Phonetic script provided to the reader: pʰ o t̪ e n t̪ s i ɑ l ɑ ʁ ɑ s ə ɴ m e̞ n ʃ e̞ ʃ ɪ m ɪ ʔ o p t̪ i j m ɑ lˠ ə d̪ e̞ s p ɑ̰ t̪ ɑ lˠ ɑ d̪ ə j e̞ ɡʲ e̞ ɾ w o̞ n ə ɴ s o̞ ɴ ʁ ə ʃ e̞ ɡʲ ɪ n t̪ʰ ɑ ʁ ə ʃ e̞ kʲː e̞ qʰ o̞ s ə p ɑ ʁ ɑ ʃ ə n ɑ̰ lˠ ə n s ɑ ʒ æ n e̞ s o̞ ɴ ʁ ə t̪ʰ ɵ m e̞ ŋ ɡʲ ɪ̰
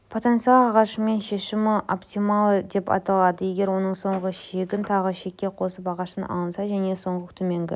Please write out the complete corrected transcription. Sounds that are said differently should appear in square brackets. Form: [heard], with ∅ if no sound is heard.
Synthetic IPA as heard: pʰ o t̪ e n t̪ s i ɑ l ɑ ʁ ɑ [ʃ] ə [∅] m e̞ n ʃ e̞ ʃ ɪ m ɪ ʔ o p t̪ i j m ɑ lˠ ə d̪ e̞ [∅] p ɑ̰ t̪ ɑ lˠ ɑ d̪ ə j e̞ ɡʲ e̞ ɾ w o̞ n ə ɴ s o̞ ɴ ʁ ə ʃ e̞ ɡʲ ɪ n t̪ʰ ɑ ʁ ə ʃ e̞ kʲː e̞ qʰ o̞ s ə p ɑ ʁ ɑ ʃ ə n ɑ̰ lˠ ə n s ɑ ʒ æ n e̞ s o̞ ɴ ʁ ə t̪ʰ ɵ m e̞ ŋ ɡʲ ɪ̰